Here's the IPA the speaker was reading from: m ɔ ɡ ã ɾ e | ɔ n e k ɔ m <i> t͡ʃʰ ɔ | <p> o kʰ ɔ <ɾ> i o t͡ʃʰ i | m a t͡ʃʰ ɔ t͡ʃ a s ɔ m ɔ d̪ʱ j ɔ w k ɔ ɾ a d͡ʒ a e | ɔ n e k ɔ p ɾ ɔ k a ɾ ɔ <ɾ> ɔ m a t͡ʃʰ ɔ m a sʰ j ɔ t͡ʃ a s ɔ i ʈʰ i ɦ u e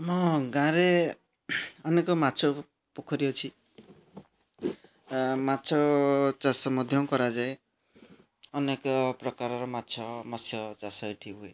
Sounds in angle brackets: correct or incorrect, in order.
incorrect, correct, correct, correct

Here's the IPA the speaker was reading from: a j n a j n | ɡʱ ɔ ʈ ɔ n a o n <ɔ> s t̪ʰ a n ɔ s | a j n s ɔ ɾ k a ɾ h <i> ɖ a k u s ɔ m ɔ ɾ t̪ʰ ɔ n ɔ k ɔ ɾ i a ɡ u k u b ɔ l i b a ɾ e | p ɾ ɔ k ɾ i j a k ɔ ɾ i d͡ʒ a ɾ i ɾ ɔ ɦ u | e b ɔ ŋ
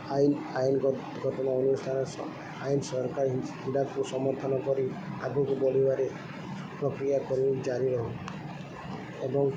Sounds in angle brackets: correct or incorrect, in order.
incorrect, correct

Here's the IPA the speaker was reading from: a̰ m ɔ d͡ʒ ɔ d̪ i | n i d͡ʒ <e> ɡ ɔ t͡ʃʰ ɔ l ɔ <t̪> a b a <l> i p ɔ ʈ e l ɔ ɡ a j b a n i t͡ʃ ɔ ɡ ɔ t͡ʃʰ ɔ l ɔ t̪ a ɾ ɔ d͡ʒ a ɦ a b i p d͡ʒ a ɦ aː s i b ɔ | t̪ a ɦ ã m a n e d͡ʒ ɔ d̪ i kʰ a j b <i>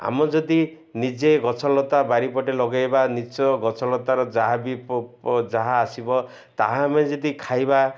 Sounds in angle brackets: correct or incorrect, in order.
correct, correct, incorrect, incorrect

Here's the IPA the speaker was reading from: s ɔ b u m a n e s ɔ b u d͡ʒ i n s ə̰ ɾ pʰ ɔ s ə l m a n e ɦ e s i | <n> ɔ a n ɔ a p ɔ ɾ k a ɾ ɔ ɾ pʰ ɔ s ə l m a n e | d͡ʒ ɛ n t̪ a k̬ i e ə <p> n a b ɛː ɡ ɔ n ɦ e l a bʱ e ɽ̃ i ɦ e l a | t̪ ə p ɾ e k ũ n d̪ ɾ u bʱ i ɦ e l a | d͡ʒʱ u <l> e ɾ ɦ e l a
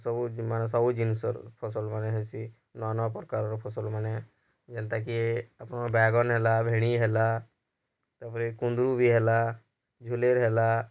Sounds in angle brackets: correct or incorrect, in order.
correct, correct, correct

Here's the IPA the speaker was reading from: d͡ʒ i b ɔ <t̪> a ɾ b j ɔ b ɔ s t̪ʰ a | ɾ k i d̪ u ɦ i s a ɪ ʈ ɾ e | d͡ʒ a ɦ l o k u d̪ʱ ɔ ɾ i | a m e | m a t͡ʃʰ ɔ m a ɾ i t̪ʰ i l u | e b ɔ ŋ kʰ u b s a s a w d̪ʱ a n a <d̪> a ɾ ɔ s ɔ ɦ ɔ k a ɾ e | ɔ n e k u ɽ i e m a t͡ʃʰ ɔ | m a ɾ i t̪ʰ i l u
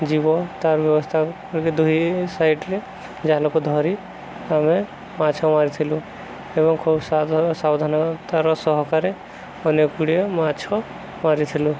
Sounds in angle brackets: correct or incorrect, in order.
correct, incorrect

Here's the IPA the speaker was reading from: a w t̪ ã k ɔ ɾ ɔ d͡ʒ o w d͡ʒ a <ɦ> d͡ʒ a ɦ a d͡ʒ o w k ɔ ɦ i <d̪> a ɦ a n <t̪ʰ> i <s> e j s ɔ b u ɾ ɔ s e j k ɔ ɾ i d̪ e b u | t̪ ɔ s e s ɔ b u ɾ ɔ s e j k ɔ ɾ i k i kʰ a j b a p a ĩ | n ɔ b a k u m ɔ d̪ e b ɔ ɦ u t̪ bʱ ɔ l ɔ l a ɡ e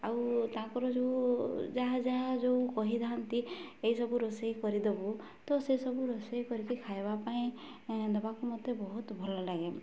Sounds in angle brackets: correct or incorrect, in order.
correct, correct, incorrect, incorrect

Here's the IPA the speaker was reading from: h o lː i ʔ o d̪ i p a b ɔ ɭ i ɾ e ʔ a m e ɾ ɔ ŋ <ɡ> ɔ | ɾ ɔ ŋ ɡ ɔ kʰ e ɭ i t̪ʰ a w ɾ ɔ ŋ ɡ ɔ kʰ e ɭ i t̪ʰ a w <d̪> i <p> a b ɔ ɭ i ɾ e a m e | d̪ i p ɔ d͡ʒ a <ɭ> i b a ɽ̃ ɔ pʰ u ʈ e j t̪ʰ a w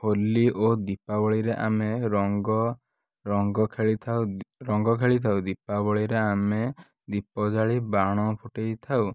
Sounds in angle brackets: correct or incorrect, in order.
correct, correct, correct, correct

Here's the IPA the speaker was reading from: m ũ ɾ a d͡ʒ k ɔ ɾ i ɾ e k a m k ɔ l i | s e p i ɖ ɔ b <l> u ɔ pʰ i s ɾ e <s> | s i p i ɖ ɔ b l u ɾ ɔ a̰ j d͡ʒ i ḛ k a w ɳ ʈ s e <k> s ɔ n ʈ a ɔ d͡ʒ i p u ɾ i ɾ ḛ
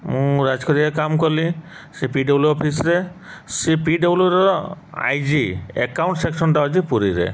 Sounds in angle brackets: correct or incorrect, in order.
correct, incorrect, correct

